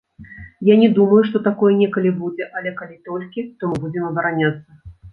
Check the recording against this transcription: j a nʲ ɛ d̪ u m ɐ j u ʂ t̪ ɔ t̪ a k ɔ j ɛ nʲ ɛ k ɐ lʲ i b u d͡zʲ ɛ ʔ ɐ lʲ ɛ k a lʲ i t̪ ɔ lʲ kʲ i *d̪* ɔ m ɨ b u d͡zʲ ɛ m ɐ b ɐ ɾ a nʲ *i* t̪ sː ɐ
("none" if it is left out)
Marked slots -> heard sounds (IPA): t̪, a

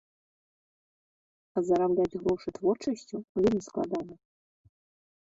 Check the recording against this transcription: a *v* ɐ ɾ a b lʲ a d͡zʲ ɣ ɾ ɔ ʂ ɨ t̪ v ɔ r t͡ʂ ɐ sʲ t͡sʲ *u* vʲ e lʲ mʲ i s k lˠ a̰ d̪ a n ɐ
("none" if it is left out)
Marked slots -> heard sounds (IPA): z, u

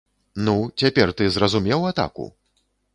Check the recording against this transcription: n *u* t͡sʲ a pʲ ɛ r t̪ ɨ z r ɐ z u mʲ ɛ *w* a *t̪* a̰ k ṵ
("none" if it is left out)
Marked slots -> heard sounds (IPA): u, w, t̪

